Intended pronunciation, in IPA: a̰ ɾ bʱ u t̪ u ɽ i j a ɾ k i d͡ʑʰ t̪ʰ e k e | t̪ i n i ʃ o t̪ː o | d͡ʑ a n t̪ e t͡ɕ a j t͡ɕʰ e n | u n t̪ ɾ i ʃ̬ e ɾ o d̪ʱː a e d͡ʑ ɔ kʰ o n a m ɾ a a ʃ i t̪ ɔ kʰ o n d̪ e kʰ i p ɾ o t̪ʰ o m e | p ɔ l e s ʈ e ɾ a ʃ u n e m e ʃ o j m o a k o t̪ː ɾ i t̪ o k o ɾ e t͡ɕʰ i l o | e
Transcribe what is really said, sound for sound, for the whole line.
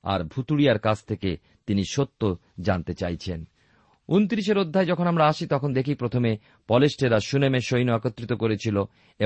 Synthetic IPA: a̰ ɾ bʱ u t̪ u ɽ i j a ɾ k a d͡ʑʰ t̪ʰ e k e | t̪ i n i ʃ o t̪ː o | d͡ʑ a n t̪ e t͡ɕ a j t͡ɕʰ e n | u n t̪ ɾ i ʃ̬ e ɾ o d̪ʱː a e d͡ʑ ɔ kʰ o n a m ɾ a a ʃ i t̪ ɔ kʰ o n d̪ e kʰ i p ɾ o t̪ʰ o m e | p ɔ l e s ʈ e ɾ a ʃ u n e m e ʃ o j n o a k o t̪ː ɾ i t̪ o k o ɾ e t͡ɕʰ i l o | e